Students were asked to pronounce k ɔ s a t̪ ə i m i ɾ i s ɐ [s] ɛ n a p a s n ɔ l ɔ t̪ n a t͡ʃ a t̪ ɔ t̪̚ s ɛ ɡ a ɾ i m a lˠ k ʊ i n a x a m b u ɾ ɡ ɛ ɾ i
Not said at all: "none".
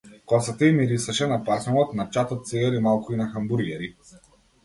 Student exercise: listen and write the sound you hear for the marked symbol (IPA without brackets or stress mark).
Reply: ʃ